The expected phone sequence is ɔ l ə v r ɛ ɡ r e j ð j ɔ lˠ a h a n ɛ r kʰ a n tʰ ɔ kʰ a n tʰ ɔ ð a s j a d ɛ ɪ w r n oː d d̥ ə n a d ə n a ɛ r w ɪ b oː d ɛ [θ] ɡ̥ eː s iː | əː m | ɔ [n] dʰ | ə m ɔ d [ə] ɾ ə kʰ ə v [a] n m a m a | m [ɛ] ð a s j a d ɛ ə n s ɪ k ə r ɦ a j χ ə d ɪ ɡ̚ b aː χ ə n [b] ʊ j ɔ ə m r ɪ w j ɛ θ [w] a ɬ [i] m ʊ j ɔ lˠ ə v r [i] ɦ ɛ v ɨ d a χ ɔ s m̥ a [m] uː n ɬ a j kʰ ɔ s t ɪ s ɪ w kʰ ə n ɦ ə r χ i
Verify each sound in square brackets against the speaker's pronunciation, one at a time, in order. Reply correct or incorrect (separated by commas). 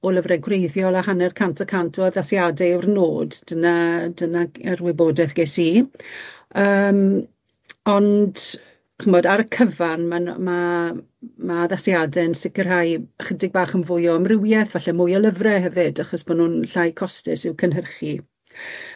correct, correct, incorrect, correct, incorrect, incorrect, incorrect, incorrect, incorrect, incorrect